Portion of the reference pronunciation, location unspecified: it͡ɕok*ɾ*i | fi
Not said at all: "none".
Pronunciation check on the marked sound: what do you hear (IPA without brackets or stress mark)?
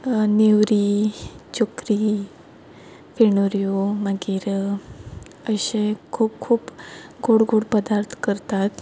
ɾ